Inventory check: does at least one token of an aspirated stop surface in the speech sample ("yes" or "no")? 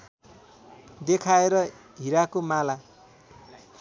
yes